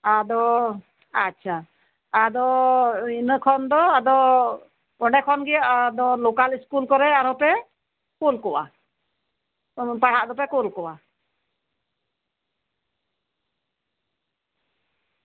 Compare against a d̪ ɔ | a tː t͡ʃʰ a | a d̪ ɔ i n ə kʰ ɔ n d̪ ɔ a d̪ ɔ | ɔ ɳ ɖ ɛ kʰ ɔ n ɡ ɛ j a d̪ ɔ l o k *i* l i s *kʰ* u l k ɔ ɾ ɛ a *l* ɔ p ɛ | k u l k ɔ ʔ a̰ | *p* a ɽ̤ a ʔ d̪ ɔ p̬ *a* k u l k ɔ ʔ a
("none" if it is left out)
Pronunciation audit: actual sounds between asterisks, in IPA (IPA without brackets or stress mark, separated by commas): a, k, ɾ, p, ɛ